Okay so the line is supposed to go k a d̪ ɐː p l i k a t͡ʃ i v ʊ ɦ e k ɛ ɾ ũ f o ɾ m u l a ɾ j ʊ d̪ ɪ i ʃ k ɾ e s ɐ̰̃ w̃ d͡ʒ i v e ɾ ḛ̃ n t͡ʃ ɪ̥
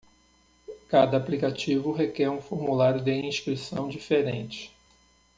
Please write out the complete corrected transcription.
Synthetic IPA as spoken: k a d̪ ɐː p l i k a t͡ʃ i v ʊ ɦ e k ɛ ɾ ũ f o ɾ m u l a ɾ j ʊ d̪ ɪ ĩ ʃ k ɾ i s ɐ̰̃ w̃ d͡ʒ i f e ɾ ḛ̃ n t͡ʃ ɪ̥